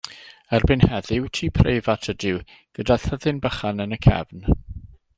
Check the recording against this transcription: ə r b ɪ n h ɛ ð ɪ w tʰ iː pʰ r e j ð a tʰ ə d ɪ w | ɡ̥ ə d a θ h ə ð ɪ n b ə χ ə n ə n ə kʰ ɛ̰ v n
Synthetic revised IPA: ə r b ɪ n h ɛ ð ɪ w tʰ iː pʰ r e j v a tʰ ə d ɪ w | ɡ̥ ə d a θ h ə ð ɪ n b ə χ a n ə n ə kʰ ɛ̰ v n